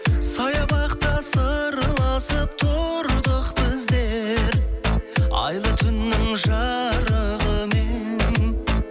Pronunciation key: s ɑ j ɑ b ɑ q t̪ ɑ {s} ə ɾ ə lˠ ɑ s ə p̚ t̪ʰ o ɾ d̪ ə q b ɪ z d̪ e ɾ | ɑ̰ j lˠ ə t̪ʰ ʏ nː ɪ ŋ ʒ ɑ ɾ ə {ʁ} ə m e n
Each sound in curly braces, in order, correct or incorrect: correct, correct

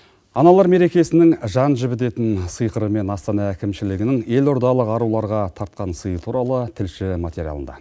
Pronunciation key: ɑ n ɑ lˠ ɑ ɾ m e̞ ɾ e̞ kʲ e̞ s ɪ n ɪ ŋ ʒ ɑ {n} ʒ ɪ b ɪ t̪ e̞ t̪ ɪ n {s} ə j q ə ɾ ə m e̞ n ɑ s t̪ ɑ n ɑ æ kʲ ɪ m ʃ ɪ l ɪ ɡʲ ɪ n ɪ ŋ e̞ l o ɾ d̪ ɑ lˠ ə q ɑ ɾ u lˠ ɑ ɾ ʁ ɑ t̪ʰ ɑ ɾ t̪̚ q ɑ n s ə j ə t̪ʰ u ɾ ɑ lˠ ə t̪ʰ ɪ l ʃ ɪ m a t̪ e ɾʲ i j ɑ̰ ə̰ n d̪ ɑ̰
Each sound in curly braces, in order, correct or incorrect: correct, correct

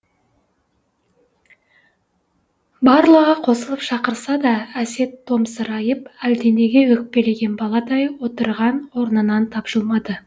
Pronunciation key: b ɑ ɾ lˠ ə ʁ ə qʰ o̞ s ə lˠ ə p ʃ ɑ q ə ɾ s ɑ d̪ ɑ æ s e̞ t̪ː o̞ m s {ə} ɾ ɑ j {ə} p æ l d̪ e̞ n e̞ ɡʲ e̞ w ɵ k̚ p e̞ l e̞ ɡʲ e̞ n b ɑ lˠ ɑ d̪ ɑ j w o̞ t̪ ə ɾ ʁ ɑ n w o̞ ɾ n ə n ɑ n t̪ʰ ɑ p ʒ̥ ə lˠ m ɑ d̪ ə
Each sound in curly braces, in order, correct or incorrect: correct, correct

